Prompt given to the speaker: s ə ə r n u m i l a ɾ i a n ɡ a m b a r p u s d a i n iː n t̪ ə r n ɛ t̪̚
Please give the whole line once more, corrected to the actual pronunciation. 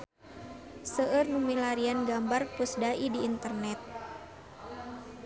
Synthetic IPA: s ə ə r n u m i l a ɾ i a n ɡ a m b a r p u s d a i d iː n t̪ ə r n ɛ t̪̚